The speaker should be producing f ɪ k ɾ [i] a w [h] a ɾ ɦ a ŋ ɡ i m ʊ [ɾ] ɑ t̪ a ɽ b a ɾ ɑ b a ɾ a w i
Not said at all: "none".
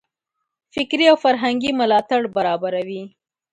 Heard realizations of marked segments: i, f, l

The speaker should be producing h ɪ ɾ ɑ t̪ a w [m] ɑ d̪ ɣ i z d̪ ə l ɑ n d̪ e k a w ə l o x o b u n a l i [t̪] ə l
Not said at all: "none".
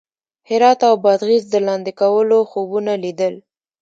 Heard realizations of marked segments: b, d̪

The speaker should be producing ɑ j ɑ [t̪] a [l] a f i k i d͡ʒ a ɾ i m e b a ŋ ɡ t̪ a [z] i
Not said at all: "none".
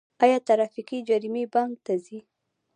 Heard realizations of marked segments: t̪, ɾ, z

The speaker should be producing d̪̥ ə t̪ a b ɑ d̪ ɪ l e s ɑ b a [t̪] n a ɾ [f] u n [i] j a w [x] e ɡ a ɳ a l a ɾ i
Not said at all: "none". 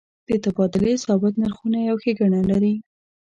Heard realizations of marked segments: t̪, x, a, x

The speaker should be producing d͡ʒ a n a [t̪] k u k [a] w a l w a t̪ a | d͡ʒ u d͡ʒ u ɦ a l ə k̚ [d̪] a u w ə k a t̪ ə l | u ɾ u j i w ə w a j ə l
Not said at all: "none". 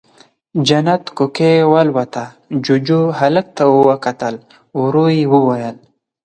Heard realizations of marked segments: t̪, e, t̪

